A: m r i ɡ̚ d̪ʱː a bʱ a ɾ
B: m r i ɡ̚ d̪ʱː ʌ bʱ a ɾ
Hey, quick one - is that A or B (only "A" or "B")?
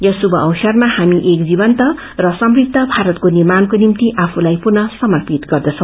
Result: B